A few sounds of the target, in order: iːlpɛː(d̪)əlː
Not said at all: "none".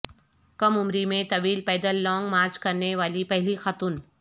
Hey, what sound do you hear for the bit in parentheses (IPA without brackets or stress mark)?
d̪